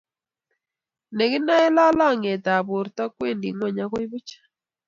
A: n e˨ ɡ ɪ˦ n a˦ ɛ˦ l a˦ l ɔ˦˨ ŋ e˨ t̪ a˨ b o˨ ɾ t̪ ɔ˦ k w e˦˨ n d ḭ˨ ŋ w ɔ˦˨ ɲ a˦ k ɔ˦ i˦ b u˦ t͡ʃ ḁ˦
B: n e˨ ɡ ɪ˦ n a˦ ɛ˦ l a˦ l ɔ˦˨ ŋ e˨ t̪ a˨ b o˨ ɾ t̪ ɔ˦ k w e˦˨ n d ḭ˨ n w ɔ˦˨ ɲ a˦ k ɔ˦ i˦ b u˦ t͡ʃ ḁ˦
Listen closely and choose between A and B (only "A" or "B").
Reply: A